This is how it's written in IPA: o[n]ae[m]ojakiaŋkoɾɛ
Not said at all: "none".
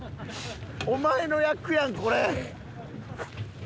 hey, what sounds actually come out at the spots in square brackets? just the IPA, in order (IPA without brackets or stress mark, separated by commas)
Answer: m, n